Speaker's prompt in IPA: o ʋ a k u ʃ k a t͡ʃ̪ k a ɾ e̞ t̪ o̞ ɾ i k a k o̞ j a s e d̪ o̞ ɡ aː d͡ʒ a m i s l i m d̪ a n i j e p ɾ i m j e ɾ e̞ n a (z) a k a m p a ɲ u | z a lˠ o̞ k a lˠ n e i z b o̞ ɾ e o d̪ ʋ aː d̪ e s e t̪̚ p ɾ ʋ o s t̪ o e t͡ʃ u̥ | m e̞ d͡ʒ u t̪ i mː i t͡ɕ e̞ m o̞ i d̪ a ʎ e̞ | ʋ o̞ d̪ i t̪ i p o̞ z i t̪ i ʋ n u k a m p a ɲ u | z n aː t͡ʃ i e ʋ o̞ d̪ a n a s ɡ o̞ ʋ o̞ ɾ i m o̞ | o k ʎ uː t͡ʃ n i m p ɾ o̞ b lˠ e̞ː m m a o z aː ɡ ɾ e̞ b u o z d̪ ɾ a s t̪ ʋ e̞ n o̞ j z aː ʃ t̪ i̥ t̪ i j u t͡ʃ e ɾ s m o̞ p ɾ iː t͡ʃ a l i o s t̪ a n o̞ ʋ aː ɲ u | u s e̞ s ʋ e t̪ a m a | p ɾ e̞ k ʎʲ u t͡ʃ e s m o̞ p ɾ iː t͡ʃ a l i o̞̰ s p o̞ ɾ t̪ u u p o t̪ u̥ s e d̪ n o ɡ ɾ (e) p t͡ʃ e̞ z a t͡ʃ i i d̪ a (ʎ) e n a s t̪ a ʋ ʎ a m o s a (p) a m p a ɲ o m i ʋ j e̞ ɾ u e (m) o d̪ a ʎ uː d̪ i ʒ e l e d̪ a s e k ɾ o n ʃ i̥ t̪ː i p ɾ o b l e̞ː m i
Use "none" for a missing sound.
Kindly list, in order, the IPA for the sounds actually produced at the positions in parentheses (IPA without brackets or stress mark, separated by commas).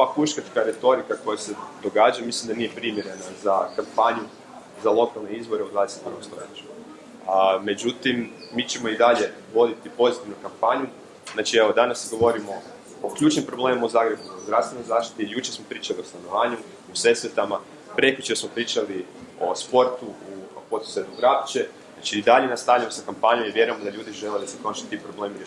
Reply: z, a, ʎ, k, m